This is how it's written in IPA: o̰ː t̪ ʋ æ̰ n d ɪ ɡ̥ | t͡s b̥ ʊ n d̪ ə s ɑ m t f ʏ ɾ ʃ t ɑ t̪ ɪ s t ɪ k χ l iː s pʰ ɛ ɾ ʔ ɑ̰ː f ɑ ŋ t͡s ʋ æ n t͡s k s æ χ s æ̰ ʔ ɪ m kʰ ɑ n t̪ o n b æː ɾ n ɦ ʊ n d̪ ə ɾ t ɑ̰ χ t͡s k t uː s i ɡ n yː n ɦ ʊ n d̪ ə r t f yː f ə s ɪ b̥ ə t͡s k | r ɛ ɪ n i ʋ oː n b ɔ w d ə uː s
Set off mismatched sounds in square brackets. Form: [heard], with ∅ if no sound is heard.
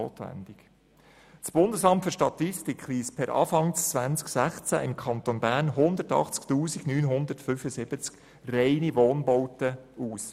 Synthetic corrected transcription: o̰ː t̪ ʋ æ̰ n d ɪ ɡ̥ | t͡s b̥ ʊ n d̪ ə s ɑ m t f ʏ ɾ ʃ t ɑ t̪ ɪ s t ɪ k χ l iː s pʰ ɛ ɾ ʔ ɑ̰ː f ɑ ŋ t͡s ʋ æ n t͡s k s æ χ [t͡s] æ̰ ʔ ɪ m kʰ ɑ n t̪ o n b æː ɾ n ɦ ʊ n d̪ ə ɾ t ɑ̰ χ t͡s k t uː s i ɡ n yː n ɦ ʊ n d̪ ə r t f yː f ə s ɪ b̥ ə t͡s k | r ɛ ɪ n i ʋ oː n b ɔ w [t] ə uː s